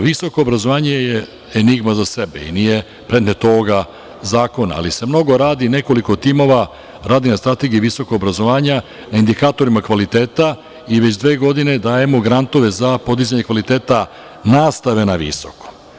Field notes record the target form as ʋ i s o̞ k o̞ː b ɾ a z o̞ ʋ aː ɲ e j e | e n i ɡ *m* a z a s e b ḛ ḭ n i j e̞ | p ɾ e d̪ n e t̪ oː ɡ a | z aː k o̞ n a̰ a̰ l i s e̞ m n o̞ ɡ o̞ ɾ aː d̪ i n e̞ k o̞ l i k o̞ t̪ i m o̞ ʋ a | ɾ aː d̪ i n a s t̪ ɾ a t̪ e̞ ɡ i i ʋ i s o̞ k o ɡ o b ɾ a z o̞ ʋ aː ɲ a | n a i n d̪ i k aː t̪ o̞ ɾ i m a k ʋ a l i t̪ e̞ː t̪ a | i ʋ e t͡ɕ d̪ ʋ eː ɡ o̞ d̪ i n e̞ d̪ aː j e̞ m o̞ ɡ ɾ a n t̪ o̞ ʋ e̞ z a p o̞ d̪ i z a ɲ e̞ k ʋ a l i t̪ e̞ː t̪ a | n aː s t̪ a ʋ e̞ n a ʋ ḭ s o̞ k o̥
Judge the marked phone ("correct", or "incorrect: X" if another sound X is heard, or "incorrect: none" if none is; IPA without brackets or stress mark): correct